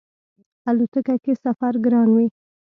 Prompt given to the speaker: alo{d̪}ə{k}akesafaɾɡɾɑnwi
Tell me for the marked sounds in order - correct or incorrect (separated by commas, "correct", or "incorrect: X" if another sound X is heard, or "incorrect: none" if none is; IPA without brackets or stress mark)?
incorrect: t̪, correct